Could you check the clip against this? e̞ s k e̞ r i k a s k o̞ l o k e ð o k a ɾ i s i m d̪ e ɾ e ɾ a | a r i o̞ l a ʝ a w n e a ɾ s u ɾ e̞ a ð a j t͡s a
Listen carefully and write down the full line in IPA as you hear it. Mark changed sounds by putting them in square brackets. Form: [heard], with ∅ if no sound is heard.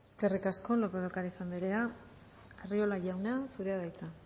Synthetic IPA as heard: e̞ s k e̞ r i k a s k o̞ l o [p] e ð o k a ɾ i s [a] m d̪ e ɾ e [∅] a | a r i o̞ l a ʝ a w n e a [∅] s u ɾ e̞ a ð a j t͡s a